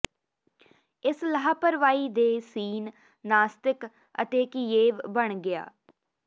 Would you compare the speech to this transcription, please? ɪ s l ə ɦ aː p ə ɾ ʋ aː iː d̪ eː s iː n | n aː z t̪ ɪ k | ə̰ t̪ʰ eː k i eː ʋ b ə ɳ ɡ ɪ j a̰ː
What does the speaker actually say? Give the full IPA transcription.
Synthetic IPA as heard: ɪ s l ə ɦ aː p ə ɾ ʋ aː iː d̪ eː s iː n | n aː s t̪ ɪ k | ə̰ t̪ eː k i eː ʋ b ə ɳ ɡ ɪ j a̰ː